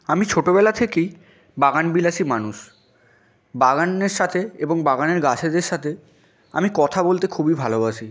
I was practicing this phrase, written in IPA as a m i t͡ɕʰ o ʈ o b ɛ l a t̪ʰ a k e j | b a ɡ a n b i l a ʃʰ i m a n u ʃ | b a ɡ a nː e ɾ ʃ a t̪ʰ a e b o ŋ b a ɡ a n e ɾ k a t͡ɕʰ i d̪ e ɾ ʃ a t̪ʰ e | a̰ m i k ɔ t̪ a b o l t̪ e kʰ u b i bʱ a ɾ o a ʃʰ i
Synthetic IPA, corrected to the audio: a m i t͡ɕʰ o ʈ o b ɛ l a t̪ʰ e k e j | b a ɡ a n b i l a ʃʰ i m a n u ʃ | b a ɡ a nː e ɾ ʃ a t̪ʰ e e b o ŋ b a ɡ a n e ɾ ɡ a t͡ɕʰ e d̪ e ɾ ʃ a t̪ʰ e | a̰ m i k ɔ t̪ʰ a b o l t̪ e kʰ u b i bʱ a l o a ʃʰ i

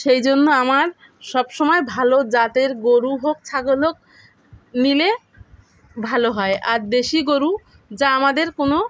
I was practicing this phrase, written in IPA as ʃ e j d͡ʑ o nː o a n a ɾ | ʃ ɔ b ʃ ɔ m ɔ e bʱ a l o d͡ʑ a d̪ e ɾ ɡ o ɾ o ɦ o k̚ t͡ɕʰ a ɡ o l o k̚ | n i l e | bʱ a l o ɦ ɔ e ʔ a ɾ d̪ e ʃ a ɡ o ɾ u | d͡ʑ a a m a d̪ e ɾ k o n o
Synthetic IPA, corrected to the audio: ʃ e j d͡ʑ o nː o a m a ɾ | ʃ ɔ b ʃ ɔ m ɔ e bʱ a l o d͡ʑ a t̪ e ɾ ɡ o ɾ u ɦ o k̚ t͡ɕʰ a ɡ o l o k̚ | n i l e | bʱ a l o ɦ ɔ e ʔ a ɾ d̪ e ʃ i ɡ o ɾ u | d͡ʑ a a m a d̪ e ɾ k o n o

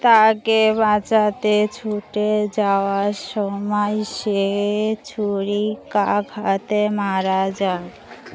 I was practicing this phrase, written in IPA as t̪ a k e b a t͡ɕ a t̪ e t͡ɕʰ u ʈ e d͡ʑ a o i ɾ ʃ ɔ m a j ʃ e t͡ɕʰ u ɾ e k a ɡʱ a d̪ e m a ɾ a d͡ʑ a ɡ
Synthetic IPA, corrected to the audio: t̪ a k e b a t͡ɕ a t̪ e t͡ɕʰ u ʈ e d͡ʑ a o a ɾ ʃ ɔ m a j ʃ e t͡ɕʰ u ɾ i k a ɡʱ a t̪ e m a ɾ a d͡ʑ a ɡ

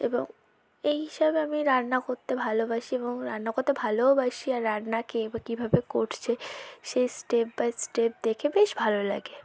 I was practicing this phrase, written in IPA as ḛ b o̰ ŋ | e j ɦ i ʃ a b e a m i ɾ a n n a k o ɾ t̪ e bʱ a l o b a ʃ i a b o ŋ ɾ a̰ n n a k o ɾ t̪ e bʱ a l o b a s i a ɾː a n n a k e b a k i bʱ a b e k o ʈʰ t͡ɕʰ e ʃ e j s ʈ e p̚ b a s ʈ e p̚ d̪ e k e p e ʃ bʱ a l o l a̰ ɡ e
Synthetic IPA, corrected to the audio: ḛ b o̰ ŋ | e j ɦ i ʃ a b e a m i ɾ a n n a k o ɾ t̪ e bʱ a l o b a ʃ i e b o ŋ ɾ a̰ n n a k o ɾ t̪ e bʱ a l o b a ʃ i a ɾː a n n a k e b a k i bʱ a b e k o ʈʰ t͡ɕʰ e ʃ e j s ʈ e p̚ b a s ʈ e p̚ d̪ e kʰ e b e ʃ bʱ a l o l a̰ ɡ e

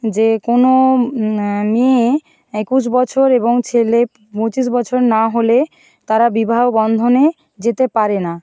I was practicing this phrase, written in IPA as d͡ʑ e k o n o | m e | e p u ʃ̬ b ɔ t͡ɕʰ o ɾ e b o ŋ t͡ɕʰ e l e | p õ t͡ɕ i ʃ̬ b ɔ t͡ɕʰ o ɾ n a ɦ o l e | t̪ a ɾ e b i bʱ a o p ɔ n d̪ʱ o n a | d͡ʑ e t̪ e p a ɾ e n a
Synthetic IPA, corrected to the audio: d͡ʑ e k o n o | m e | e k u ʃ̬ b ɔ t͡ɕʰ o ɾ e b o ŋ t͡ɕʰ e l e | p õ t͡ɕ i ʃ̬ b ɔ t͡ɕʰ o ɾ n a ɦ o l e | t̪ a ɾ a b i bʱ a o b ɔ n d̪ʱ o n e | d͡ʑ e t̪ e p a ɾ e n a

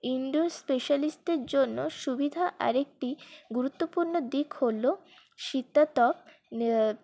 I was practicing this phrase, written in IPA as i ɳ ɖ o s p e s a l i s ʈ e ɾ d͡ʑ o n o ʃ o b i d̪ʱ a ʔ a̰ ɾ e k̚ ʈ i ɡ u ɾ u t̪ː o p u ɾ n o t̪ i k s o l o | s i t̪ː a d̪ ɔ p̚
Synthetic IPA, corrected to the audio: i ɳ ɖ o s p e ʃ a l i s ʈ e ɾ d͡ʑ o nː o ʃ u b i d̪ʱ a ʔ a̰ ɾ e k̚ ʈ i ɡ u ɾ u t̪ː o p u ɾ n o d̪ i k h o l o | ʃ i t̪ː a t̪ ɔ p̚

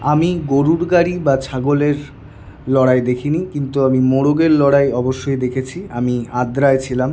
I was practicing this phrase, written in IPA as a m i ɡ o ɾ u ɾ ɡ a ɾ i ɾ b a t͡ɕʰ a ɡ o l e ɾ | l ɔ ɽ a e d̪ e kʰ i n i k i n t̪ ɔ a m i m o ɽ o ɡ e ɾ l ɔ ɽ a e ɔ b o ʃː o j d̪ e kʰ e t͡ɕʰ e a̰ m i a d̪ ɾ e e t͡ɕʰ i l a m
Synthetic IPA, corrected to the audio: a m i ɡ o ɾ u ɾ ɡ a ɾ i b a t͡ɕʰ a ɡ o l e ɾ | l ɔ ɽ a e d̪ e kʰ i n i k i n t̪ u a m i m o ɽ o ɡ e ɾ l ɔ ɽ a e ɔ b o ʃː o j d̪ e kʰ e t͡ɕʰ i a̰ m i a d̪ ɾ a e t͡ɕʰ i l a m

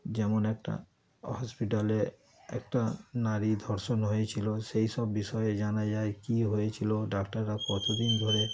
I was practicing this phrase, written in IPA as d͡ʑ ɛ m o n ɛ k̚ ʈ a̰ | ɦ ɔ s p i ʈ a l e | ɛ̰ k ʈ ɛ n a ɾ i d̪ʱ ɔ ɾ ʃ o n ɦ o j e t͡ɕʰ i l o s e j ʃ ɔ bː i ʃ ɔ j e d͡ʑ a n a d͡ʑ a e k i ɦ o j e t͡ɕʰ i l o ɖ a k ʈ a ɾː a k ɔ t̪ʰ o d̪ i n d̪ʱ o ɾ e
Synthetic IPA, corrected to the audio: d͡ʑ ɛ m o n ɛ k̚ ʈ a̰ | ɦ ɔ s p i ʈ a l e | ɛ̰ k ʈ a n a ɾ i d̪ʱ ɔ ɾ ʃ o n ɦ o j e t͡ɕʰ i l o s e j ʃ ɔ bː i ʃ ɔ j e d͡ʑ a n a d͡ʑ a e k i ɦ o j e t͡ɕʰ i l o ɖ a k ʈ a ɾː a k ɔ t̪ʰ o d̪ i n d̪ʱ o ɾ e

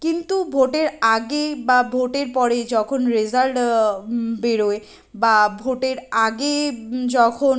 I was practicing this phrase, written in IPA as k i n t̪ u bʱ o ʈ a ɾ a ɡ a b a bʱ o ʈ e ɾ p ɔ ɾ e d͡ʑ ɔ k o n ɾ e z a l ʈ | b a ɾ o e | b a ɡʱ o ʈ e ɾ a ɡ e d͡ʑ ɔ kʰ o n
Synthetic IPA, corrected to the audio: k i n t̪ u bʱ o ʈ e ɾ a ɡ e b a bʱ o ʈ e ɾ p ɔ ɾ e d͡ʑ ɔ kʰ o n ɾ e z a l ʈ | b e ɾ o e | b a bʱ o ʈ e ɾ a ɡ e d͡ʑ ɔ kʰ o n

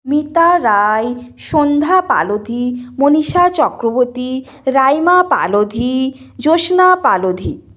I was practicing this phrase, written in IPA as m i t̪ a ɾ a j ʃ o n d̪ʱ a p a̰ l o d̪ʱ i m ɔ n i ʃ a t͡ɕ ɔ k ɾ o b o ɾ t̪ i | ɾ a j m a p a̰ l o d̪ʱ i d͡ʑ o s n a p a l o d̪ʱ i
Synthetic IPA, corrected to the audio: m i t̪ a ɾ a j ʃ o n d̪ʱ a p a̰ l o d̪ʱ i m o n i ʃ a t͡ɕ ɔ k ɾ o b o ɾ t̪ i | ɾ a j m a p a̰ l o d̪ʱ i d͡ʑ o ʃ n a p a l o d̪ʱ i

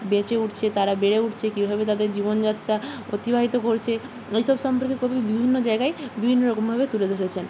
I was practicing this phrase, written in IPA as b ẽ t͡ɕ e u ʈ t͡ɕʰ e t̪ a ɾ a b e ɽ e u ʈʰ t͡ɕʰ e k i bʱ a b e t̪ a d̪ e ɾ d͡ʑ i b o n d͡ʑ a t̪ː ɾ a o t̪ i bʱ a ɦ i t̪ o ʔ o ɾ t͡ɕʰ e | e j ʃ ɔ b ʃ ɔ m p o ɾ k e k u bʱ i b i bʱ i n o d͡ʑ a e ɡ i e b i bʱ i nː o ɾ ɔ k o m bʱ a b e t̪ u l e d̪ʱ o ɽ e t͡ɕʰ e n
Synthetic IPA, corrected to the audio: b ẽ t͡ɕ e u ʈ t͡ɕʰ e t̪ a ɾ a b e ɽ e u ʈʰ t͡ɕʰ e k i bʱ a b e t̪ a d̪ e ɾ d͡ʑ i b o n d͡ʑ a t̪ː ɾ a o t̪ i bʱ a ɦ i t̪ o k o ɾ t͡ɕʰ e | e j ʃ ɔ b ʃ ɔ m p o ɾ k e k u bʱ i b i bʱ i nː o d͡ʑ a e ɡ a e b i bʱ i nː o ɾ ɔ k o m bʱ a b e t̪ u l e d̪ʱ o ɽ e t͡ɕʰ e n

